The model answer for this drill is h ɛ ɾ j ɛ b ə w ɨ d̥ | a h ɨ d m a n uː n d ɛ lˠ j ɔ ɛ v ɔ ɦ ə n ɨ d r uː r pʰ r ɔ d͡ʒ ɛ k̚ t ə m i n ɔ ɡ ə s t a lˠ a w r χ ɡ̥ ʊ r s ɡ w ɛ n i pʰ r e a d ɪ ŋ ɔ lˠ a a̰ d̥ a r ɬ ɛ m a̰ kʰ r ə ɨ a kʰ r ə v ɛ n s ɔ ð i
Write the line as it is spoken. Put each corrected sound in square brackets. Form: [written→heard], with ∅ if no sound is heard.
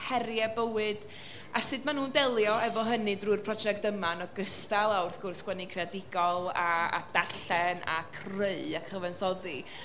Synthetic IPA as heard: h ɛ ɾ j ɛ b ə w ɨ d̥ | a [h→s] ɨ d m a n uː n d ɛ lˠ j ɔ ɛ v ɔ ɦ ə n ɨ d r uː r pʰ r ɔ d͡ʒ ɛ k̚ t ə m [i→a] n ɔ ɡ ə s t a lˠ a w r [χ→θ] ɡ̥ ʊ r s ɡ w ɛ n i [pʰ→kʰ] r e a d ɪ [ŋ→ɡ] ɔ lˠ a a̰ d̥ a r ɬ ɛ [m→n] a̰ kʰ r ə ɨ a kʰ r ə v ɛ n s ɔ ð i